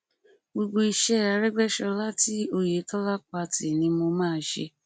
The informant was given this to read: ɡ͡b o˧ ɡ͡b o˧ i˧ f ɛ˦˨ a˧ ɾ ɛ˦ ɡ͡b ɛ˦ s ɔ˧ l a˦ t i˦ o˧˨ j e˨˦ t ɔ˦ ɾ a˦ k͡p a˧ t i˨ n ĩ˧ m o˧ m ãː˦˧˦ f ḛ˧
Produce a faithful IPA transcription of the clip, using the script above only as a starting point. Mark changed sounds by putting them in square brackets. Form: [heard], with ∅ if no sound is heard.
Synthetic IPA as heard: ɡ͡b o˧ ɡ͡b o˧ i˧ [ʃ] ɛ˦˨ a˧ ɾ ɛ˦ ɡ͡b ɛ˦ [ʃ] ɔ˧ l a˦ t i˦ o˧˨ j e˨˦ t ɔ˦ [l] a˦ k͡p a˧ t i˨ n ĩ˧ m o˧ m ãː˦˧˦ [ʃ] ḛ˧